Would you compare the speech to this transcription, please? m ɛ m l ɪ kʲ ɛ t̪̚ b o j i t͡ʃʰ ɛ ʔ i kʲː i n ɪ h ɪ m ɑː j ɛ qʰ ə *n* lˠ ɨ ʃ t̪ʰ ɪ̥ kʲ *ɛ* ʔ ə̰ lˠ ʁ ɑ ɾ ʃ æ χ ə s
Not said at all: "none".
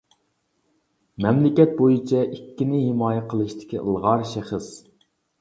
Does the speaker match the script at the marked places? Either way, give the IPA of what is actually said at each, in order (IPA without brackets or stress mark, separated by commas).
none, i